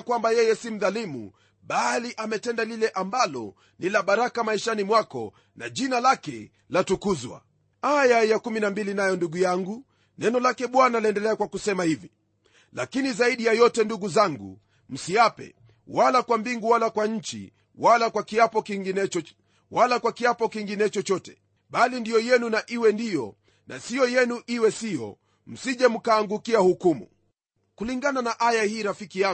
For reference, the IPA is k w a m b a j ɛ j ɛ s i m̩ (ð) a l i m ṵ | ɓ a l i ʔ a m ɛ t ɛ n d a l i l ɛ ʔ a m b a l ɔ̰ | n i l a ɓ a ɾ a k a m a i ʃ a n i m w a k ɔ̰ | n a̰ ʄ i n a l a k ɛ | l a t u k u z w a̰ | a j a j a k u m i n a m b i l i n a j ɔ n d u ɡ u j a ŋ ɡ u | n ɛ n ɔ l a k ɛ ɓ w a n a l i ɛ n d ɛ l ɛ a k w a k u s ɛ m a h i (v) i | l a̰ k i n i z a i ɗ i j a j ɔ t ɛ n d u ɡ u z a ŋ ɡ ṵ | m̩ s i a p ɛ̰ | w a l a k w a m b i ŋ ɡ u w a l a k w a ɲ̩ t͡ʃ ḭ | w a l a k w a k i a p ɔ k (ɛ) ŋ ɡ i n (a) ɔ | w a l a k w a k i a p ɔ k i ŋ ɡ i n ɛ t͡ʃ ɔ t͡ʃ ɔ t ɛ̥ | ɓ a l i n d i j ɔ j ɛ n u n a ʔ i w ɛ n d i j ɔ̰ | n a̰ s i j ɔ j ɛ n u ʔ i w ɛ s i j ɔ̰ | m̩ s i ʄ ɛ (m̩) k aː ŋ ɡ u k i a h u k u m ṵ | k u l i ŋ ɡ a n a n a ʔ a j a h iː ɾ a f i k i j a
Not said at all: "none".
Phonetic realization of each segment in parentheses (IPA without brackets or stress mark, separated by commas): ð, v, i, ɛ, m̩